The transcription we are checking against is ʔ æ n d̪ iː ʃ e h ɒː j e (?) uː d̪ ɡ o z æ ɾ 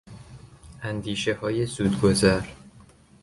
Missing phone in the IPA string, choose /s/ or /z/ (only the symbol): z